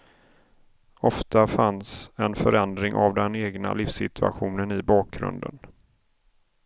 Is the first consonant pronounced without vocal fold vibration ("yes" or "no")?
yes